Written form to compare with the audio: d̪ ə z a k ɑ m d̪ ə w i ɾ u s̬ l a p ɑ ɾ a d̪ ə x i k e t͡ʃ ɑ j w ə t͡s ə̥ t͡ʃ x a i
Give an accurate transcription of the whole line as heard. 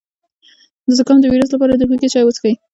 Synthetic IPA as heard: d̪ ə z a k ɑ m d̪ ə w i ɾ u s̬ l a p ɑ ɾ a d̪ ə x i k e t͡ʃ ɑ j w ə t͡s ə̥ x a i

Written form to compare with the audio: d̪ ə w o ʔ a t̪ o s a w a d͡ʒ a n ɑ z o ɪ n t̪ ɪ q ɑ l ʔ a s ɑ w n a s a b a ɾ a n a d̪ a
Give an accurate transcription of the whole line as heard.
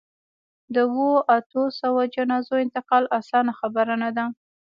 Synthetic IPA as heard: d̪ ə w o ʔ a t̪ o s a w a d͡ʒ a n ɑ z o ɪ n t̪ ɪ q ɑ l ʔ a s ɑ n a x a b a ɾ a n a d̪ a

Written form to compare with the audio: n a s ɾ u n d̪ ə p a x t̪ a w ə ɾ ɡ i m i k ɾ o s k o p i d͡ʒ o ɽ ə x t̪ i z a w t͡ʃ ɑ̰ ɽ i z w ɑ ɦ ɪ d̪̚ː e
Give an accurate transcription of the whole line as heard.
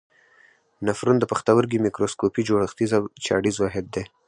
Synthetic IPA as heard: n a f ɾ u n d̪ ə p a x t̪ a w ə ɾ ɡ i m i k ɾ o s k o p i d͡ʒ o ɽ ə x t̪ i z a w t͡ʃ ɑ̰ ɽ i z w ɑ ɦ ɪ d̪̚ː e

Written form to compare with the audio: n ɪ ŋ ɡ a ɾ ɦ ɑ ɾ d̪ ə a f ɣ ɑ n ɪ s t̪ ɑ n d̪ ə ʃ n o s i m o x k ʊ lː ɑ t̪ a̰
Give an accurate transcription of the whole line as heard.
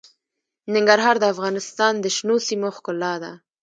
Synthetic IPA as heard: n ɪ ŋ ɡ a ɾ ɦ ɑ ɾ d̪ ə a f ɣ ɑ n ɪ s t̪ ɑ n d̪ ə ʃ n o s i m o x k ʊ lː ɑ d̪ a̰

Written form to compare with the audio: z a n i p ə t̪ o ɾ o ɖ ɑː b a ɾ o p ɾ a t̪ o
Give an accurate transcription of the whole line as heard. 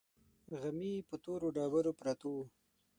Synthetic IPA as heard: ɣ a m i p ə t̪ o ɾ o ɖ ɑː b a ɾ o p ɾ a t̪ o

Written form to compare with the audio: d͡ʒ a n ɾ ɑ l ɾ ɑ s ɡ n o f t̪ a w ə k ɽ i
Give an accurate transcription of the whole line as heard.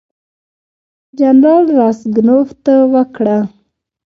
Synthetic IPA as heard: d͡ʒ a n ɾ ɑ l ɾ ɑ s ɡ n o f t̪ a w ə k ɽ a

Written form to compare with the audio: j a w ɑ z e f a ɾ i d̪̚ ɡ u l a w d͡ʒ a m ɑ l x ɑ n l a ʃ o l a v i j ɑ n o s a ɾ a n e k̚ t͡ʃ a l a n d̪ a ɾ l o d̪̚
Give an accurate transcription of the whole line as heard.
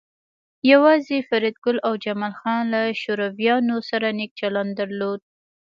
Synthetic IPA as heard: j a w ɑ z e f a ɾ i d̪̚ ɡ ʊ l a w d͡ʒ a m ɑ l x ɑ n l a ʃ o ɾ a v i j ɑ n o s a ɾ a n e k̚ t͡ʃ a l a n d̪ a ɾ l o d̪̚

